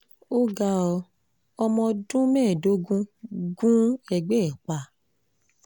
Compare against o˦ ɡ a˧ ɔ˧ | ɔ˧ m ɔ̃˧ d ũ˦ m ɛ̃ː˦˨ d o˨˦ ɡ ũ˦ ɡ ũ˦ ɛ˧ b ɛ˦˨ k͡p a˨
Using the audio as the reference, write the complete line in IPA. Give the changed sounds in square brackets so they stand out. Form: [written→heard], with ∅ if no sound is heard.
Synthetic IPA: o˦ ɡ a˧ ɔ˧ | ɔ˧ m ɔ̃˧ d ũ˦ m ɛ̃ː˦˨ d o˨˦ ɡ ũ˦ ɡ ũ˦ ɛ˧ [b→ɡ͡b] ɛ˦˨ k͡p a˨